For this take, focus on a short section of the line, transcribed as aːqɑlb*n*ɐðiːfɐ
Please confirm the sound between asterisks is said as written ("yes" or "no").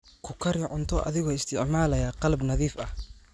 yes